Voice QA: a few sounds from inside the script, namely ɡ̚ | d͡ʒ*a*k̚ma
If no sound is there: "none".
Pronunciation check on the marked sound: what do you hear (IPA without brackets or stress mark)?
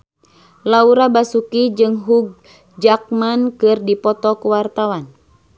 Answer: a